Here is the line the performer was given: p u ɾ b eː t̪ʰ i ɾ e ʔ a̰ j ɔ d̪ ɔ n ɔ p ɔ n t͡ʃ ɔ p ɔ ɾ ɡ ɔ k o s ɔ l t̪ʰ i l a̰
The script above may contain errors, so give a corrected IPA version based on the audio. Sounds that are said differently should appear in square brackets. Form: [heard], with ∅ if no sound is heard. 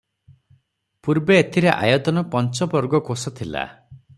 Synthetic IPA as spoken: p u ɾ b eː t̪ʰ i ɾ e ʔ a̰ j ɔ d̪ ɔ n ɔ p ɔ n t͡ʃ ɔ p ɔ ɾ ɡ ɔ k o s ɔ [∅] t̪ʰ i l a̰